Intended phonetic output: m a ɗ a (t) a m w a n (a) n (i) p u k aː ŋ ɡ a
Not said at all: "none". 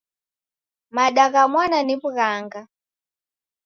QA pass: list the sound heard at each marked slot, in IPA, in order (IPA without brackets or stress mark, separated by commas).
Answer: k, a, i